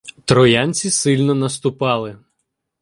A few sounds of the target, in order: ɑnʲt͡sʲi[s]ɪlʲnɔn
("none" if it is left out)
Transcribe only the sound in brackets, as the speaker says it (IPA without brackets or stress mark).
s